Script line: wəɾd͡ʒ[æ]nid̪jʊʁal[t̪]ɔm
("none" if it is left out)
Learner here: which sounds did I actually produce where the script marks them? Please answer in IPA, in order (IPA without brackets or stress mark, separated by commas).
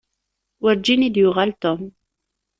i, t̪